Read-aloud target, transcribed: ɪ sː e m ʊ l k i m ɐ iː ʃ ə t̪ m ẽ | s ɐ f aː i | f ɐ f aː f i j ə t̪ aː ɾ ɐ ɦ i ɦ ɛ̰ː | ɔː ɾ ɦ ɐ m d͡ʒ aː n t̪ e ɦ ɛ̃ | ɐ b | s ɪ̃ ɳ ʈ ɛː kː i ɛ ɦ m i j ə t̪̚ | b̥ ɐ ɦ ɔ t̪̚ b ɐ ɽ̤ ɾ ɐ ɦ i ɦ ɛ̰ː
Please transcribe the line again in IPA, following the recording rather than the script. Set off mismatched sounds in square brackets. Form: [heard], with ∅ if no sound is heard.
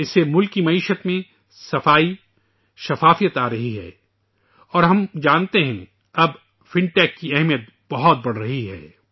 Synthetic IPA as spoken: ɪ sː e m ʊ l k i m ɐ iː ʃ ə t̪ m ẽ | s ɐ f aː i | [ʃ] ɐ f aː f i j ə t̪ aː ɾ ɐ ɦ i ɦ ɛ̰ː | ɔː ɾ ɦ ɐ m d͡ʒ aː n t̪ e ɦ ɛ̃ | ɐ b | [f] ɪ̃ ɳ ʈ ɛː kː i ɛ ɦ m i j ə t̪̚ | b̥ ɐ ɦ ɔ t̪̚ b ɐ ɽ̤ ɾ ɐ ɦ i ɦ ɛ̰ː